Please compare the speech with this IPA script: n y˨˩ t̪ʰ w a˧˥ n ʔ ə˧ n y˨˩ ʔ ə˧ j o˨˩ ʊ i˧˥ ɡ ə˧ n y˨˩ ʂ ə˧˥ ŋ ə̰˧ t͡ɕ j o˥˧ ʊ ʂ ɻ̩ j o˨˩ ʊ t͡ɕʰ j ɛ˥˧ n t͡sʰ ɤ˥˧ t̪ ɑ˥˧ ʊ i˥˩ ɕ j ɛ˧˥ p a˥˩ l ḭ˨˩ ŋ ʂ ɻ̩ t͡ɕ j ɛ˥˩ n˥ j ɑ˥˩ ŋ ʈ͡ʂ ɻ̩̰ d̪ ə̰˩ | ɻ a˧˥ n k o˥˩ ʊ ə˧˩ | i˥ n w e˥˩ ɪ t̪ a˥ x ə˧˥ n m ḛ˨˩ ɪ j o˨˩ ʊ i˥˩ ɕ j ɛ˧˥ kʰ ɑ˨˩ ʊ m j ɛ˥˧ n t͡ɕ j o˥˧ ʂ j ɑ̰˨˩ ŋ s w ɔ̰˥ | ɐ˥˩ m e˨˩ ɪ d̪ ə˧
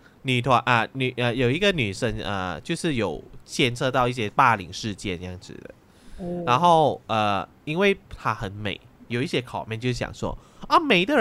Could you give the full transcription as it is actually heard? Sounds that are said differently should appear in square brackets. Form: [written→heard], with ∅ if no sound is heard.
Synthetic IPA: n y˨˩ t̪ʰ w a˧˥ n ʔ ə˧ n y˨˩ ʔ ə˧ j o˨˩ ʊ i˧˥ ɡ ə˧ n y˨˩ ʂ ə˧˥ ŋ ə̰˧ t͡ɕ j o˥˧ ʊ ʂ ɻ̩ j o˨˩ ʊ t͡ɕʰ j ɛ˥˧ n t͡sʰ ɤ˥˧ t̪ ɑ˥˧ ʊ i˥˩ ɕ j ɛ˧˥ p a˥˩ l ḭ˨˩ ŋ ʂ ɻ̩ t͡ɕ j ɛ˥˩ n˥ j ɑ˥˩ ŋ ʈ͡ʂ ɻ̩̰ d̪ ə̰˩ | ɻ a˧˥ n [k→x] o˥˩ ʊ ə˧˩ | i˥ n w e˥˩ ɪ [t̪→t̪ʰ] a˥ x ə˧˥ n m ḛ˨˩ ɪ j o˨˩ ʊ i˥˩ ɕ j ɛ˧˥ kʰ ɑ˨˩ ʊ m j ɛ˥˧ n t͡ɕ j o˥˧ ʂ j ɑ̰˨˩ ŋ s w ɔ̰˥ | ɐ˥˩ m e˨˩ ɪ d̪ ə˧